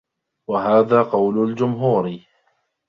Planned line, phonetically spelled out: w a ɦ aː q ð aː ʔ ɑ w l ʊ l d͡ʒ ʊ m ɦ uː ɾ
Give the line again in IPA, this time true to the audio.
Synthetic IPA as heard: w a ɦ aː ð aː q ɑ w l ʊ l d͡ʒ ʊ m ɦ uː ɾ

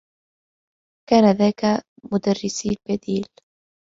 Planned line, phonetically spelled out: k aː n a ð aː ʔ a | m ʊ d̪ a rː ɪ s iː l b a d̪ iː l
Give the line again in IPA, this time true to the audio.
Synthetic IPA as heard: k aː n a ð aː k a | m ʊ d̪ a rː ɪ s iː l b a d̪ iː l

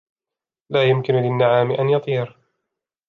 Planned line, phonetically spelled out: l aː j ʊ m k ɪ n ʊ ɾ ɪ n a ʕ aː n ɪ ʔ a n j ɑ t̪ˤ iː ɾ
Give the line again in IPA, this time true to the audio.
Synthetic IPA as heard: l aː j ʊ m k ɪ n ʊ l ɪ nː a ʕ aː m ɪ ʔ a n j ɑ t̪ˤ iː ɾ

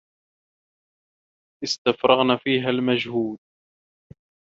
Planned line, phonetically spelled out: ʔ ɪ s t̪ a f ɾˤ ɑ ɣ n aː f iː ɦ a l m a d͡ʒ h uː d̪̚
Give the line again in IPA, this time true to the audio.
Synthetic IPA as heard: ʔ ɪ s t̪ a f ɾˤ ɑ ɣ n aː f iː ɦ a l m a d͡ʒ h uː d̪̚

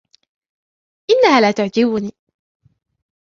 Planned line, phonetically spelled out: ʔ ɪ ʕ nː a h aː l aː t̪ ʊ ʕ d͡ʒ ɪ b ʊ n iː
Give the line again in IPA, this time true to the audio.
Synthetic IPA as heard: ʔ ɪ nː a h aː l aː t̪ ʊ ʕ d͡ʒ ɪ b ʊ n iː

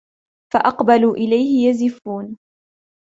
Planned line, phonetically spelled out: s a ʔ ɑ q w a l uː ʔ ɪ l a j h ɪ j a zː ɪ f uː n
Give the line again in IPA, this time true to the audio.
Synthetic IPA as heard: f a ʔ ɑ q b a l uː ʔ ɪ l a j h ɪ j a z ɪ f uː n

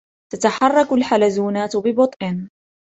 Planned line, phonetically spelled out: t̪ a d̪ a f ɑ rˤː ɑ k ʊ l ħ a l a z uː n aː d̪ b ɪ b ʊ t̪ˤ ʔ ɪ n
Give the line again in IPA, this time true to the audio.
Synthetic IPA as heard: t̪ a t̪ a ħ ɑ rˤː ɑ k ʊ l ħ a l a z uː n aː t̪ b ɪ b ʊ t̪ˤ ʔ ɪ n

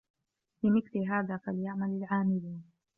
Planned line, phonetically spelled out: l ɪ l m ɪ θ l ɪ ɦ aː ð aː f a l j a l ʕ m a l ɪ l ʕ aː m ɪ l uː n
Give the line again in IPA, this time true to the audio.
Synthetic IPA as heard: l ɪ m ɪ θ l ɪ ɦ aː ð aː f a l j a ʕ m a l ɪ l ʕ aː m ɪ l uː n

